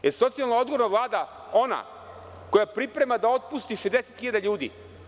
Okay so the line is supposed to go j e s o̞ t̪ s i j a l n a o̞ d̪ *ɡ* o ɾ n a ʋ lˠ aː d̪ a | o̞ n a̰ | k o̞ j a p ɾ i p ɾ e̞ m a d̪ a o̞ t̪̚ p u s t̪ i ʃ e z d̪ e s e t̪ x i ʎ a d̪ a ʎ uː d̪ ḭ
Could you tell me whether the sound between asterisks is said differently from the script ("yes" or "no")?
no